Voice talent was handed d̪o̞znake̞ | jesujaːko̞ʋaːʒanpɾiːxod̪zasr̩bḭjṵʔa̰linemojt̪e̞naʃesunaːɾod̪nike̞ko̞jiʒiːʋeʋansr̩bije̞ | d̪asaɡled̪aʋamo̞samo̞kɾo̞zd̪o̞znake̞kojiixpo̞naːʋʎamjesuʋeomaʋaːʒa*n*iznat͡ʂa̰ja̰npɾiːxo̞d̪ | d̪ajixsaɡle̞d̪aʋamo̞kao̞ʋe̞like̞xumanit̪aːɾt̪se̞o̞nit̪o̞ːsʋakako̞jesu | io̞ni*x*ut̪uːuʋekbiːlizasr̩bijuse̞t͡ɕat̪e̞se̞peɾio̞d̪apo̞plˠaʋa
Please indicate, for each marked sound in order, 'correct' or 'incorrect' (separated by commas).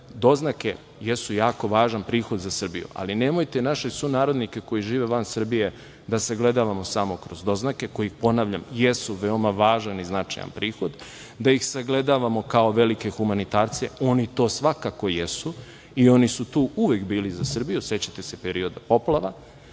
correct, incorrect